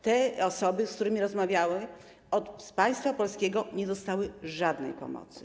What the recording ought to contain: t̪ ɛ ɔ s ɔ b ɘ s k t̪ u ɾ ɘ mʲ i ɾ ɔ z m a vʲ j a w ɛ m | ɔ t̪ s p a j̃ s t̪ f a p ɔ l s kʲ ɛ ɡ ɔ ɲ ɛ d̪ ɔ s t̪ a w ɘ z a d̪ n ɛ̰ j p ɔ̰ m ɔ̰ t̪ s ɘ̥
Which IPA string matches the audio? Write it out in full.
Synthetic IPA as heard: t̪ ɛ ɔ s ɔ b ɘ s k t̪ u ɾ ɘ mʲ i ɾ ɔ z m a vʲ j a w ɛ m | ɔ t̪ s p a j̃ s t̪ f a p ɔ l s kʲ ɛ ɡ ɔ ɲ ɛ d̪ ɔ s t̪ a w ɘ ʐ a d̪ n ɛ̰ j p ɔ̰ m ɔ̰ t̪ s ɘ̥